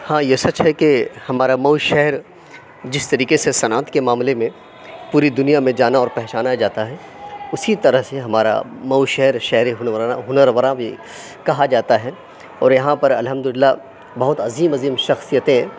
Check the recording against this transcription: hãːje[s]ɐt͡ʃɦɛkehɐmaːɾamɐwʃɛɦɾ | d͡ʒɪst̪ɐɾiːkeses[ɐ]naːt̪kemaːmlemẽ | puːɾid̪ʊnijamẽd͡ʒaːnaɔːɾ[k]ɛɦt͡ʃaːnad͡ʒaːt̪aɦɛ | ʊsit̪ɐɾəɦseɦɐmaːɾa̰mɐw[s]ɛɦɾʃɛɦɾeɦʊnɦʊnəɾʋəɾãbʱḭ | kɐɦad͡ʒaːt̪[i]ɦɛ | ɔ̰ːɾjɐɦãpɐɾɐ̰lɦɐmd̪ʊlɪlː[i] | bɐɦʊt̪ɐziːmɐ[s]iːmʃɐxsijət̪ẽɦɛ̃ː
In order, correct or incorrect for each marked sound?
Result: correct, correct, incorrect, incorrect, incorrect, incorrect, incorrect

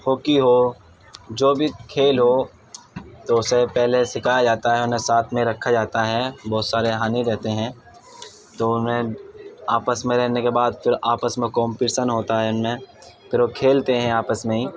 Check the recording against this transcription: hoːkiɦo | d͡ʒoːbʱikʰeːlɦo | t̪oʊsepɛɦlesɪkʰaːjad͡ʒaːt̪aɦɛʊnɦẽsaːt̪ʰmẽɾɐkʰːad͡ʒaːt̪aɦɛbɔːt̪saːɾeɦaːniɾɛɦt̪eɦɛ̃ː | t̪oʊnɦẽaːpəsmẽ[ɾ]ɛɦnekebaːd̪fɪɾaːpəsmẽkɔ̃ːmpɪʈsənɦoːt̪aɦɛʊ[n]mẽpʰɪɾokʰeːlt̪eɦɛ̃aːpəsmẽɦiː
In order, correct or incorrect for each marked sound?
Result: correct, correct

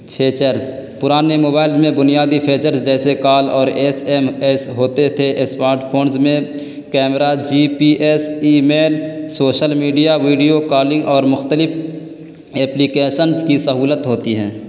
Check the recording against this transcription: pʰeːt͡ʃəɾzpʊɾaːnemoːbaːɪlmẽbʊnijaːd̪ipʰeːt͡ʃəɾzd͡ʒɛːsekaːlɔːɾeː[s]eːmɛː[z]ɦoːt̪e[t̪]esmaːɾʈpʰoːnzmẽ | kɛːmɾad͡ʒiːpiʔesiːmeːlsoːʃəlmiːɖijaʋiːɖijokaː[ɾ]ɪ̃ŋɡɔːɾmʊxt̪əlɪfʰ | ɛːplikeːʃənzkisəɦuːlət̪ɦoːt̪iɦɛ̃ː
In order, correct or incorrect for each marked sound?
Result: correct, incorrect, incorrect, incorrect

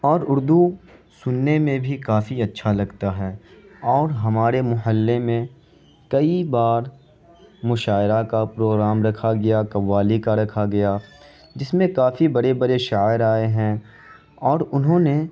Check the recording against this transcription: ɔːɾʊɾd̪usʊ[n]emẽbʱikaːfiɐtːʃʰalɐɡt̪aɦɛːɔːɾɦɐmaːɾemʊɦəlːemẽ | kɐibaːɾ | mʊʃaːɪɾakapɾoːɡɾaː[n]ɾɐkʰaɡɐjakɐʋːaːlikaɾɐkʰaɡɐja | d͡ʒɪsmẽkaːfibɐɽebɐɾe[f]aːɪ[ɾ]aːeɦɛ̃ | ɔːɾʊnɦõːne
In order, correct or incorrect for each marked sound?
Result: incorrect, incorrect, incorrect, correct

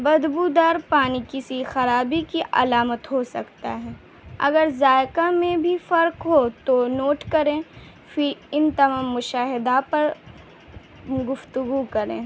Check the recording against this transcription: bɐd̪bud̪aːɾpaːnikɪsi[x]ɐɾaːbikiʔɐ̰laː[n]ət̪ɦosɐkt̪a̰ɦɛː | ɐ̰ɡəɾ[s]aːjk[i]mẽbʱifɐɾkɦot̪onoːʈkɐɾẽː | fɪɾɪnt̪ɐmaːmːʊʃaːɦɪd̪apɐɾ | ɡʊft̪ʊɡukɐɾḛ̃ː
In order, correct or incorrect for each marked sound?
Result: correct, incorrect, incorrect, incorrect

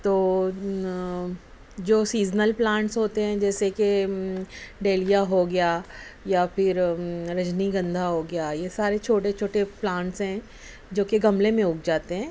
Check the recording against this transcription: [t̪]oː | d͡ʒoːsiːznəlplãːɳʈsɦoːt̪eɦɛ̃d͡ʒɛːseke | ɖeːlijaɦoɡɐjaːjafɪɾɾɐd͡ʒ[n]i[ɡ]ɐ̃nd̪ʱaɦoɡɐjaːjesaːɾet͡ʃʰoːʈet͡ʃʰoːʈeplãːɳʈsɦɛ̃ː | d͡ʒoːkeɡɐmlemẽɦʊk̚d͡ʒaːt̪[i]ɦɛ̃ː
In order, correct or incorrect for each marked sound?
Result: correct, correct, correct, incorrect

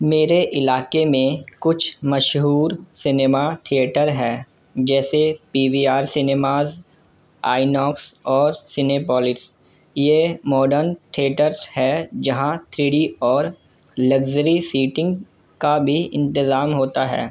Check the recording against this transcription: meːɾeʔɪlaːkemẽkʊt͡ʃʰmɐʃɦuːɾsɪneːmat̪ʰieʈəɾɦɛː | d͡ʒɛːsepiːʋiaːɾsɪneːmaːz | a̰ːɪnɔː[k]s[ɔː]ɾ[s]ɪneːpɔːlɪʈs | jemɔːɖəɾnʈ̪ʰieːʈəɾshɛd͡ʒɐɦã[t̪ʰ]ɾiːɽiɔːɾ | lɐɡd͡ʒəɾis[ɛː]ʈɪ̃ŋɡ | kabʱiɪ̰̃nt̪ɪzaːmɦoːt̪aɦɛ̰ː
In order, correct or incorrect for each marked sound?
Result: correct, correct, correct, correct, incorrect

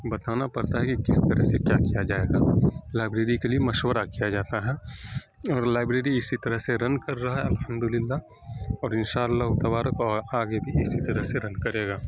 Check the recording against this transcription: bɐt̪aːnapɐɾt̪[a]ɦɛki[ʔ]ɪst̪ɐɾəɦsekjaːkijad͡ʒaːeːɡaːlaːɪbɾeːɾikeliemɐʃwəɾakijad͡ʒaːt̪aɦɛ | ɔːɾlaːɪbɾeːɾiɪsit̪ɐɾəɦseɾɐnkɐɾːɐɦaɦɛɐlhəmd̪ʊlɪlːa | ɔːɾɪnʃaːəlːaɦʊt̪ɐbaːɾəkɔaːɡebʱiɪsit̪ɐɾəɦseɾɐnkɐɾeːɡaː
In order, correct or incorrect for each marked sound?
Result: correct, incorrect

